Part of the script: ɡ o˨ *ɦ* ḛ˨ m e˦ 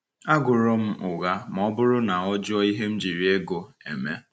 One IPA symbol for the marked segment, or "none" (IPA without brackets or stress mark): none